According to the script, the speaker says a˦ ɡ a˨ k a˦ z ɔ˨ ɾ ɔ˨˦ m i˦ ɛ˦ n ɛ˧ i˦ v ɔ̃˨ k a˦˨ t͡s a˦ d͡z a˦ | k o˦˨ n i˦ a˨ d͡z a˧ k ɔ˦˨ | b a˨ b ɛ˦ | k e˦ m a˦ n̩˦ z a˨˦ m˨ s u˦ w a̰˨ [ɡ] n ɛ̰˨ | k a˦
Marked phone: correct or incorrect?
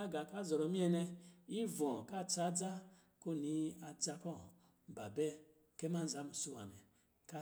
incorrect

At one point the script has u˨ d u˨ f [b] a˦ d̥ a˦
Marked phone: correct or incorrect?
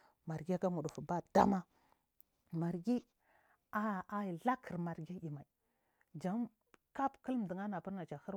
correct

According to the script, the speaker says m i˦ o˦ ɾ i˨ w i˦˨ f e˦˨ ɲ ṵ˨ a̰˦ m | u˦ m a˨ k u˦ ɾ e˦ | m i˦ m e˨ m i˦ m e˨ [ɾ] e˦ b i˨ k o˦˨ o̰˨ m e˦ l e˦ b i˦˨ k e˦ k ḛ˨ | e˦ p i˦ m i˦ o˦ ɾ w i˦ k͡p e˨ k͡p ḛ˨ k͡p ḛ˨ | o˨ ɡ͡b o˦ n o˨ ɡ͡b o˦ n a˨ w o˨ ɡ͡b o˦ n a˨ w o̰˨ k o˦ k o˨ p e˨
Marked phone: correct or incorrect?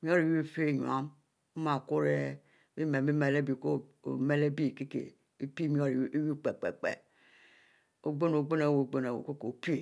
incorrect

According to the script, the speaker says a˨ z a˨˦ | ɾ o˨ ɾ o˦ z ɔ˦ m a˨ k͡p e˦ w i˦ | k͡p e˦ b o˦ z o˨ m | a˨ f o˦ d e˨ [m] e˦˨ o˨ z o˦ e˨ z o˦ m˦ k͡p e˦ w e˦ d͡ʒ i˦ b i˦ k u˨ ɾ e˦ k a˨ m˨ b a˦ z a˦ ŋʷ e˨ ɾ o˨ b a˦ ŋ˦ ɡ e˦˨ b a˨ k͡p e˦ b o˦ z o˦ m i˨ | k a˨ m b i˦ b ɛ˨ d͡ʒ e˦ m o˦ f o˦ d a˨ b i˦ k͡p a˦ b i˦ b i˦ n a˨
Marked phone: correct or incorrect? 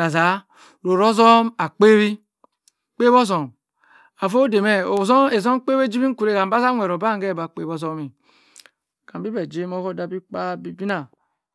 correct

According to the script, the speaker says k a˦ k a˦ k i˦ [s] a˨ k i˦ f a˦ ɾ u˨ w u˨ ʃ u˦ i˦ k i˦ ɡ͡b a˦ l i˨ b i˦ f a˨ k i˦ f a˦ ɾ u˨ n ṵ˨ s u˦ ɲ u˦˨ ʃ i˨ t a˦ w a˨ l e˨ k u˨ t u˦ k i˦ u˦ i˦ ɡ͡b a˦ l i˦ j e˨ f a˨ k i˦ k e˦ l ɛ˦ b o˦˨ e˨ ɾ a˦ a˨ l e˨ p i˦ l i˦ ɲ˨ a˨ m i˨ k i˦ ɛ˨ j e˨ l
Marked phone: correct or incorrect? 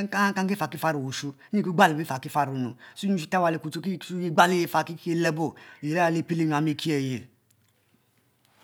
incorrect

